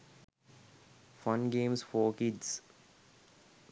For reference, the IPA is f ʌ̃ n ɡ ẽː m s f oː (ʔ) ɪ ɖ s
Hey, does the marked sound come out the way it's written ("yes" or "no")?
no